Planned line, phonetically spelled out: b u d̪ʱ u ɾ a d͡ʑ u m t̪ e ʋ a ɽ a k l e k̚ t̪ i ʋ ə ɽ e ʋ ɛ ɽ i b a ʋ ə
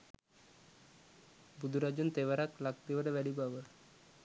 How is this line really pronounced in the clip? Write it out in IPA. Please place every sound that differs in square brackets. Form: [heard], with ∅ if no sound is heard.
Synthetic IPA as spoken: b u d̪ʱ u ɾ a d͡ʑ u [n] t̪ e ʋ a [ɾ] a k l [a] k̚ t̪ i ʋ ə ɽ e ʋ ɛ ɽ i b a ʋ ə